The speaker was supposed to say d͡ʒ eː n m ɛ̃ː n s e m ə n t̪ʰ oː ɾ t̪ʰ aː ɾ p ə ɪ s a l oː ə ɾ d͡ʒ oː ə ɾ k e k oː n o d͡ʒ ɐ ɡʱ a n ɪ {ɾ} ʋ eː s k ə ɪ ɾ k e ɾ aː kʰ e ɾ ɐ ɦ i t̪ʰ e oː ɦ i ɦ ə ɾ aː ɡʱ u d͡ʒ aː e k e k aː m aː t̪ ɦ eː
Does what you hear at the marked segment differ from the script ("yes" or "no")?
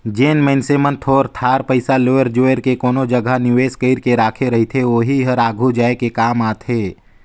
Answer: yes